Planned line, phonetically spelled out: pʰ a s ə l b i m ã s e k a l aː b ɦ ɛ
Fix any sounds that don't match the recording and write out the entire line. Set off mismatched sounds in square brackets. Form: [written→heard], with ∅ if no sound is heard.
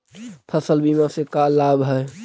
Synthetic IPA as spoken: pʰ [a→ə] s ə l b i m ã s e k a l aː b ɦ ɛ